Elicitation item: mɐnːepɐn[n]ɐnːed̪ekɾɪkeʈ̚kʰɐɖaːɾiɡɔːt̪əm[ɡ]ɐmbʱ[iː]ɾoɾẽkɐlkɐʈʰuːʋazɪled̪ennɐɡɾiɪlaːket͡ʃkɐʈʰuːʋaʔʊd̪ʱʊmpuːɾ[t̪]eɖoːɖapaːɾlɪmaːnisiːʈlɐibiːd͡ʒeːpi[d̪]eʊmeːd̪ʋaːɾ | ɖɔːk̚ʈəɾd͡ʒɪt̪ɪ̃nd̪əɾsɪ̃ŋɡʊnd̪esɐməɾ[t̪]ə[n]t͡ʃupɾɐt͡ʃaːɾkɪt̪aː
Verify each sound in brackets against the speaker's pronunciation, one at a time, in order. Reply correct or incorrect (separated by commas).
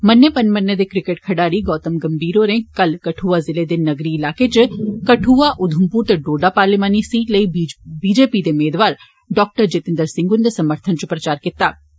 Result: incorrect, correct, correct, correct, correct, incorrect, correct